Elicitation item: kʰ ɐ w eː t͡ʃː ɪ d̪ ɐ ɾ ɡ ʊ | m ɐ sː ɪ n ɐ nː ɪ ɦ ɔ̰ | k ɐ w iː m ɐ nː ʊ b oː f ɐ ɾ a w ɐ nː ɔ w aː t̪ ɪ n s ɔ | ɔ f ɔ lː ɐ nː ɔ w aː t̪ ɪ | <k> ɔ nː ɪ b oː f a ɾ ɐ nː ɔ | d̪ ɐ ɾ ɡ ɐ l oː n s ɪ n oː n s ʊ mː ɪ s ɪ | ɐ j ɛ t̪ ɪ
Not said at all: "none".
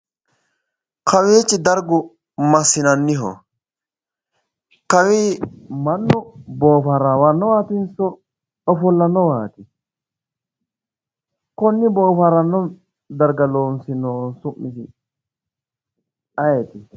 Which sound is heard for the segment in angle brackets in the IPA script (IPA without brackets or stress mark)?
k